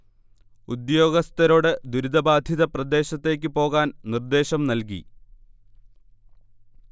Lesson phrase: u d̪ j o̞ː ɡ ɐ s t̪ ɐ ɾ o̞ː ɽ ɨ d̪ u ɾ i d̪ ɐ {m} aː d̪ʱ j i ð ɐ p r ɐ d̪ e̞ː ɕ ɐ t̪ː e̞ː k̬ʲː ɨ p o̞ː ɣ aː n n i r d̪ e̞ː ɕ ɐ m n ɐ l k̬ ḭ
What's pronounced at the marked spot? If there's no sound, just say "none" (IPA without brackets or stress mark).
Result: b